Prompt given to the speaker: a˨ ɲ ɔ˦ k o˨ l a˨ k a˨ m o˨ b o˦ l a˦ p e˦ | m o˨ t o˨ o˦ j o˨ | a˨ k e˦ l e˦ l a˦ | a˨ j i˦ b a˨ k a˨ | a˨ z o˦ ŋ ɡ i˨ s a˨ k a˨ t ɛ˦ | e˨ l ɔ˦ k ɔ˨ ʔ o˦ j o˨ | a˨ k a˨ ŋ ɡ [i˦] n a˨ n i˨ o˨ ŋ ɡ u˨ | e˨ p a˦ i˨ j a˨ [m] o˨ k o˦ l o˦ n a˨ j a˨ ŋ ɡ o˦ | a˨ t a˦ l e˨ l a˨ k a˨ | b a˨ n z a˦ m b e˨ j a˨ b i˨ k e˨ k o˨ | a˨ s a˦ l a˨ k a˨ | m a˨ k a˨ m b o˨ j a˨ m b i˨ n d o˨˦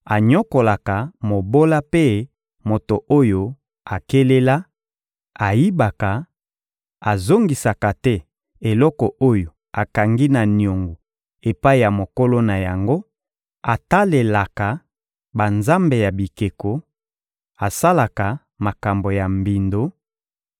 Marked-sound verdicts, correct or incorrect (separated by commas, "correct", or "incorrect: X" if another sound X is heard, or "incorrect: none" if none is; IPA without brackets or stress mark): correct, correct